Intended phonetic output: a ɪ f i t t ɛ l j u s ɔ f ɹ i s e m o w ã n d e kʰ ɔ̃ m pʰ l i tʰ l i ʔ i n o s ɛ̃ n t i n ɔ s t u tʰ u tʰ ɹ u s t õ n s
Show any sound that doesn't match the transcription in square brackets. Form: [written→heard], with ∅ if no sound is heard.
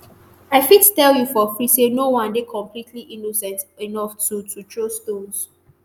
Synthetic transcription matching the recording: a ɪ f i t t ɛ l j u [s→f] ɔ f ɹ i s e [m→n] o w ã n d e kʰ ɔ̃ m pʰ l i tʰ l i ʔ i n o s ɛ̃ n t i n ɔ [s→f] t u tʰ u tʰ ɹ [u→o] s t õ n s